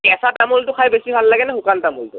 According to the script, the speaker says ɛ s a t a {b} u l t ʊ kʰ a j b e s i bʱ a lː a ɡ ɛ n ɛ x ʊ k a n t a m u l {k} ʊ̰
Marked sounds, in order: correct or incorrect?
incorrect: m, incorrect: t

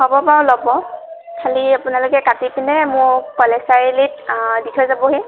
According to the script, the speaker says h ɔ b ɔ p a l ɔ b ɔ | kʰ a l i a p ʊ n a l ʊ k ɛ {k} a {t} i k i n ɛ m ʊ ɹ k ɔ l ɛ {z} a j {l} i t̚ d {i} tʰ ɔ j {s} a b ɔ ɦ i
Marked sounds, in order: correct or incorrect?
correct, correct, incorrect: s, correct, correct, incorrect: z

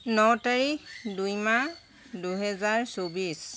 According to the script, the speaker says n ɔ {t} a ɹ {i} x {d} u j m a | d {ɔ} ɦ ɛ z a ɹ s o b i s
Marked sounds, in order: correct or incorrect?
correct, correct, correct, incorrect: u

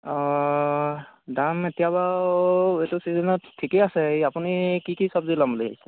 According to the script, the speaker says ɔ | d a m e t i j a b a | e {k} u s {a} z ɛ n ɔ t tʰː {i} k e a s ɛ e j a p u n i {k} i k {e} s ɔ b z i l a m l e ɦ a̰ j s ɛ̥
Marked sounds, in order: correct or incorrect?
incorrect: t, incorrect: i, correct, correct, incorrect: i

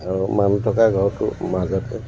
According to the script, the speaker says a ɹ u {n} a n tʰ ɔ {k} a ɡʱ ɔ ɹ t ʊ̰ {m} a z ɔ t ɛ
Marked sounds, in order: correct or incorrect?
incorrect: m, correct, correct

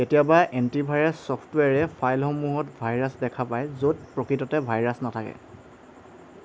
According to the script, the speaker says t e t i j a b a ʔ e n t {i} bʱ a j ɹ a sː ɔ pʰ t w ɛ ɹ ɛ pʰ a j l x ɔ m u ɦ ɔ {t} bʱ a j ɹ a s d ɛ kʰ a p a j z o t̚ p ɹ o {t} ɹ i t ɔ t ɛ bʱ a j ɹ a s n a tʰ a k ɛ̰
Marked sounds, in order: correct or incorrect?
correct, correct, incorrect: k

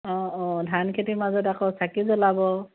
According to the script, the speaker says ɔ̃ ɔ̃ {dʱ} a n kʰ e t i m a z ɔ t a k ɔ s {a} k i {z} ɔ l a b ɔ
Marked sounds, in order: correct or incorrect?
correct, correct, correct

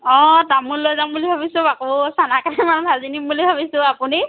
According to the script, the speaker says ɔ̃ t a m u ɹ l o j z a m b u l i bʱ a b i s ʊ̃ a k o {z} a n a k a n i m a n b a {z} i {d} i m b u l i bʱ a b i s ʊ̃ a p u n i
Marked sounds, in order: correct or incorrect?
incorrect: s, correct, incorrect: n

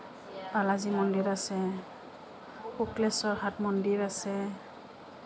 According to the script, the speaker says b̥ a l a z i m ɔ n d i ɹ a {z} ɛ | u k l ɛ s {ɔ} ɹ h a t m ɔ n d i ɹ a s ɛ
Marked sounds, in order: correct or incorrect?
incorrect: s, correct

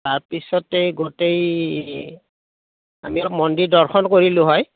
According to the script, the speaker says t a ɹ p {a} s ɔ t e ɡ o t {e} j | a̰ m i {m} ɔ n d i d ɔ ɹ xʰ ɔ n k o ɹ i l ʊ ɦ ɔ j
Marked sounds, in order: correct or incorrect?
incorrect: i, correct, correct

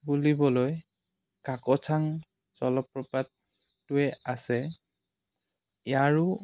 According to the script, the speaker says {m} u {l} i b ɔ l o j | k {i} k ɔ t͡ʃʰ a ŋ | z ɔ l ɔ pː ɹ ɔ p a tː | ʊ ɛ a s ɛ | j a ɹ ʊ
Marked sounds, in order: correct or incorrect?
incorrect: b, correct, incorrect: a

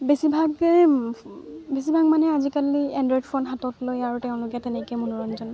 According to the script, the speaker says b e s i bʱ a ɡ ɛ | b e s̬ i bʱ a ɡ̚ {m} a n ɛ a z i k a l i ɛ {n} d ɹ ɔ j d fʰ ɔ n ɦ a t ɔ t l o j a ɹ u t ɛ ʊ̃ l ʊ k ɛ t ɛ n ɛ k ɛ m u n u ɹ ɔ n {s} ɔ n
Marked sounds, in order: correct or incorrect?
correct, correct, incorrect: z

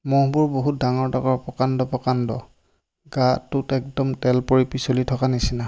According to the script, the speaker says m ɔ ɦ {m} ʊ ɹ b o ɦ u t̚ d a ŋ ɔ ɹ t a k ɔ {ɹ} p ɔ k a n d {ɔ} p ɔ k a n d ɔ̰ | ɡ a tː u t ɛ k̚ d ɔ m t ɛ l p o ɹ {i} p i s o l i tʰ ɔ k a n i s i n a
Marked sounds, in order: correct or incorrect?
incorrect: b, correct, correct, correct

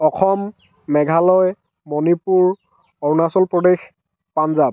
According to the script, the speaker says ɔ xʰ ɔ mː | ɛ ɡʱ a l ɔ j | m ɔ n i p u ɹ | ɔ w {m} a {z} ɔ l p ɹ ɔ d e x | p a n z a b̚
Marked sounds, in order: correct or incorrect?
incorrect: n, incorrect: s

